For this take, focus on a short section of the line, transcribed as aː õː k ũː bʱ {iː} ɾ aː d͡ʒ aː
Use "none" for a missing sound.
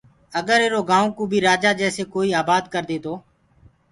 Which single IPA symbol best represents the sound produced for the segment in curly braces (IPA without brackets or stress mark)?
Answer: iː